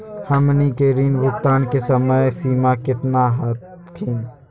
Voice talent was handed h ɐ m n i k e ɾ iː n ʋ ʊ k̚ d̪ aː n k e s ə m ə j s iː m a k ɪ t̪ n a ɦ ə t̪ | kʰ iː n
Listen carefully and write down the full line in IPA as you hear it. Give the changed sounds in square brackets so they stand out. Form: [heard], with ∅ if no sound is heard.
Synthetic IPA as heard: h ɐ m n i k e ɾ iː n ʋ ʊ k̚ [t̪] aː n k e s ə m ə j s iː m a k ɪ t̪ n a ɦ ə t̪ | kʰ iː n